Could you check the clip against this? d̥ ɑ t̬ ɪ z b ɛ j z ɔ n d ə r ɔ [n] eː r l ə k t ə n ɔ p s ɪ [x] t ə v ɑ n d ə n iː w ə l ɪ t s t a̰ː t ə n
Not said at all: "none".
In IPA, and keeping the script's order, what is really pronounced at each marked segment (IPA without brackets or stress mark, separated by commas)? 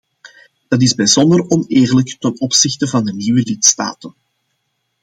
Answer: n, x